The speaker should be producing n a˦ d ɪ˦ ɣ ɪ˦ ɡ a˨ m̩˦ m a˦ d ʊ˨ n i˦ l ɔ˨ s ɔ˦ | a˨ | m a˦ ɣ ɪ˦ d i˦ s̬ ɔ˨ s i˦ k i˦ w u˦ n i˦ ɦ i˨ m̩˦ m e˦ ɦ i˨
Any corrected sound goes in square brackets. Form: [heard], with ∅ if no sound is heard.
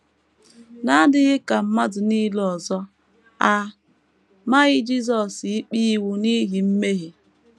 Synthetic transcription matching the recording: n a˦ d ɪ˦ ɣ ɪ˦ [k] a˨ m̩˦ m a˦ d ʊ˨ n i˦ l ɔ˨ [z] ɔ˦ | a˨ | m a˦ ɣ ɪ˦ [d͡ʒ] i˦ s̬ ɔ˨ s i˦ [k͡p] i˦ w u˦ n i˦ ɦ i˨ m̩˦ m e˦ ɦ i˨